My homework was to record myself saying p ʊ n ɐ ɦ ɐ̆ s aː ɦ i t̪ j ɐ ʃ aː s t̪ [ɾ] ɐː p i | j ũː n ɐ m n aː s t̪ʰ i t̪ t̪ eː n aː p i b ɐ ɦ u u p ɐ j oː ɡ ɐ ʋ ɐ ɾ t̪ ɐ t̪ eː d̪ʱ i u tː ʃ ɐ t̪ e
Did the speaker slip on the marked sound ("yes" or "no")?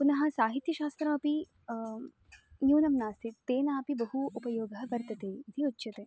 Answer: no